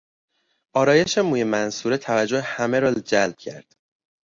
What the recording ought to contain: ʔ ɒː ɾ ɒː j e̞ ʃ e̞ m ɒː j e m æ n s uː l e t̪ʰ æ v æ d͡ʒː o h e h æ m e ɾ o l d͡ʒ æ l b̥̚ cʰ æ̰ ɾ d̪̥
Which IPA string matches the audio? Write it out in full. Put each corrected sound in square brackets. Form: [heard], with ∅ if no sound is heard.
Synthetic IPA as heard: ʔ ɒː ɾ ɒː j e̞ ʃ e̞ m [uː] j e m æ n s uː [ɾ] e t̪ʰ æ v æ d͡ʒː o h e h æ m e ɾ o l d͡ʒ æ l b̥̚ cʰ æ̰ ɾ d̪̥